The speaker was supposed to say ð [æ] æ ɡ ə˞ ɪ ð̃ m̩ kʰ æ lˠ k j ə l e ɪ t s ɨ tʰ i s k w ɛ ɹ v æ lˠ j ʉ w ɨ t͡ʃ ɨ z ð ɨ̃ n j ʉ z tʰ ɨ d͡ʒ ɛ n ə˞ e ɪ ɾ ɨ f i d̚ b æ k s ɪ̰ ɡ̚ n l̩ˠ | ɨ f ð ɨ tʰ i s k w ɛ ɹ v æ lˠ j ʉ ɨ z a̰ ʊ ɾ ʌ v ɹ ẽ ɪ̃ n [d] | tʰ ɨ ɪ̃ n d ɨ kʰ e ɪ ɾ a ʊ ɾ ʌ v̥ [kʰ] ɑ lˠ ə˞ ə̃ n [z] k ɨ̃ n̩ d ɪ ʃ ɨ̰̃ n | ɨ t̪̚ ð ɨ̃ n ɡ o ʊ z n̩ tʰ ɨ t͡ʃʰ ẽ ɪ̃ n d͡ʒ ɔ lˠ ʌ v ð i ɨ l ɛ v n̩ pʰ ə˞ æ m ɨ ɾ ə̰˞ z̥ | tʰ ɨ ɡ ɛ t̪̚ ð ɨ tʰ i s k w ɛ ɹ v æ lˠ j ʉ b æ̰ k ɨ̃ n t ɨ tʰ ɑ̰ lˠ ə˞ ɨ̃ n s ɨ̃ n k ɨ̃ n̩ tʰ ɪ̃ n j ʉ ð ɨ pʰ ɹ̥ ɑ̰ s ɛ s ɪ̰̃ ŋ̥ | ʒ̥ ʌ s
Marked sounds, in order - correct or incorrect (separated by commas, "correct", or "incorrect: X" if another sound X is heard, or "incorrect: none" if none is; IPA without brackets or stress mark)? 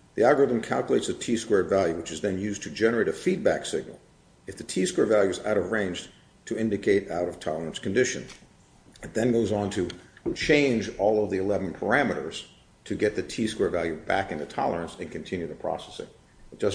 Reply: incorrect: i, incorrect: d͡ʒ, incorrect: tʰ, incorrect: s